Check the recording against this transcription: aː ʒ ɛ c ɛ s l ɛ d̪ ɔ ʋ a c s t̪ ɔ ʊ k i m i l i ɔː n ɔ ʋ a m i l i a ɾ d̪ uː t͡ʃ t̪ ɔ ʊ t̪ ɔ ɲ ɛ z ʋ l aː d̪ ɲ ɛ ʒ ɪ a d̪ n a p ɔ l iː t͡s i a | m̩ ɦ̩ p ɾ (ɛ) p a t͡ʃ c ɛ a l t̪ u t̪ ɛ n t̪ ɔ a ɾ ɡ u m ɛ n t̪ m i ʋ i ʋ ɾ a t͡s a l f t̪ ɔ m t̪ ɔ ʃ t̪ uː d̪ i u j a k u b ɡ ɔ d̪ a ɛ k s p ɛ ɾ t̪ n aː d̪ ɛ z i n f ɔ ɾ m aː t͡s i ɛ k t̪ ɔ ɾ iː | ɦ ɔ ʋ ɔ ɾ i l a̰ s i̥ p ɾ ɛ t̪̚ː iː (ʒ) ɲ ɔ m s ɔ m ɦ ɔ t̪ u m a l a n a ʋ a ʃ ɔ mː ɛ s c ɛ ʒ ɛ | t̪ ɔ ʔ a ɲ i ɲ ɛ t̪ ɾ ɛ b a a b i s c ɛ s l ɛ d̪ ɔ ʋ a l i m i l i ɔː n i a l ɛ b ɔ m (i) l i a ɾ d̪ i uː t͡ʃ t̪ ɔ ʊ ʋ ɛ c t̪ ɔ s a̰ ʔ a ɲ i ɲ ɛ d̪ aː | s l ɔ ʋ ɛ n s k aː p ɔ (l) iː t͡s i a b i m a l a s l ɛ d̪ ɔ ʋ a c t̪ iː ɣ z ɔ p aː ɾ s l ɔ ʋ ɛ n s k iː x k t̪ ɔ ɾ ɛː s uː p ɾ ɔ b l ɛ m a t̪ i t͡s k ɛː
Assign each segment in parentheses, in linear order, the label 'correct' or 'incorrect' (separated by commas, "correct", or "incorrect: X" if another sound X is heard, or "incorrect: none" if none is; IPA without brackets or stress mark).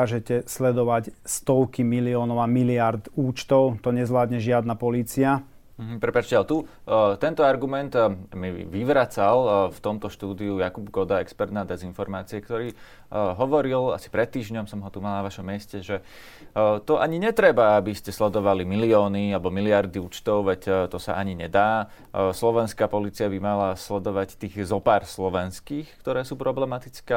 correct, correct, correct, correct